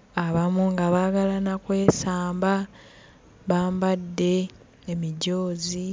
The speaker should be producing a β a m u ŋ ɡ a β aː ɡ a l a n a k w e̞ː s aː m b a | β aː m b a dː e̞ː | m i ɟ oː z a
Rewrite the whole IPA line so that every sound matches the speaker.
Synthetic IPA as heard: a β a m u ŋ ɡ a β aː ɡ a l a n a k w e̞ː s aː m b a | β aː m b a dː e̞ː | m i ɟ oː z i